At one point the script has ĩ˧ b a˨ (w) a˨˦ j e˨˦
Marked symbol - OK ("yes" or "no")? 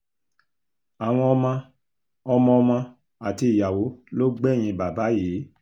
no